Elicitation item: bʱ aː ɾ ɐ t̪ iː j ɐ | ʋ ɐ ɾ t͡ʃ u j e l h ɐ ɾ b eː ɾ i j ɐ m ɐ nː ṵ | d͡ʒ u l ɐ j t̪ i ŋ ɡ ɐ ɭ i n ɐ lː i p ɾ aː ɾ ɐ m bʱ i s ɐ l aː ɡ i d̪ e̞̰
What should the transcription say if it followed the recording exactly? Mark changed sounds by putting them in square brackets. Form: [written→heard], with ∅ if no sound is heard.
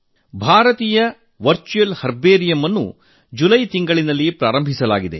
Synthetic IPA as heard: bʱ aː ɾ ɐ t̪ iː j ɐ | ʋ ɐ ɾ t͡ʃ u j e l h ɐ ɾ b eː ɾ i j ɐ m ɐ nː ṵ | d͡ʒ u l ɐ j t̪ i ŋ ɡ ɐ ɭ i n ɐ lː i p ɾ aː ɾ ɐ m bʱ i s ɐ l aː ɡ i d̪ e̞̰